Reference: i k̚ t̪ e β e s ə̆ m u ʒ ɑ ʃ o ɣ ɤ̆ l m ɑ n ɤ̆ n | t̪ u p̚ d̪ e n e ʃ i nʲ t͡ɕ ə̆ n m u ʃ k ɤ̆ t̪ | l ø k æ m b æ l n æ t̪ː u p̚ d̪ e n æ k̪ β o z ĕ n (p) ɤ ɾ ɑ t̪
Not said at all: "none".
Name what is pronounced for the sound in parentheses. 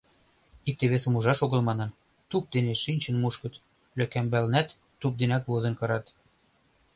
k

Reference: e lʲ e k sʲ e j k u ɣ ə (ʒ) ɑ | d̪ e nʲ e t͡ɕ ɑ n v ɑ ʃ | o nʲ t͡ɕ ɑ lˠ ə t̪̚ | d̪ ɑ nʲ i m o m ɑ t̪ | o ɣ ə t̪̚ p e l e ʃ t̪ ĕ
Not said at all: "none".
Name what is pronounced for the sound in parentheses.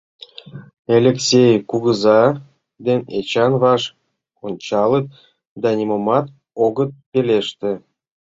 z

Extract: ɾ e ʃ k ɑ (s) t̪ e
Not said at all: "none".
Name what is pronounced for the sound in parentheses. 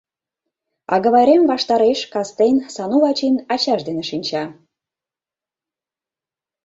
s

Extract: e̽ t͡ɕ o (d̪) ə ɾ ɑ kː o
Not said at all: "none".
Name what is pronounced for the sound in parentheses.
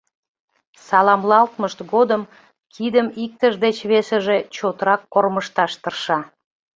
t̪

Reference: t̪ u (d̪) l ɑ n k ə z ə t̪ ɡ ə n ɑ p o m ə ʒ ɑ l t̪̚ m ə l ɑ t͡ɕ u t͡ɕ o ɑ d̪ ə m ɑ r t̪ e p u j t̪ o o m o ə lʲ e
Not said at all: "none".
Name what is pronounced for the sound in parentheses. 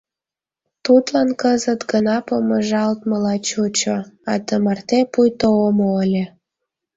t̪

